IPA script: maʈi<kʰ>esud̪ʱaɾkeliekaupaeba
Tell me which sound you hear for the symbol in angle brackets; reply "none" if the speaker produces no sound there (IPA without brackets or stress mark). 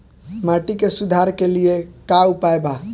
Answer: k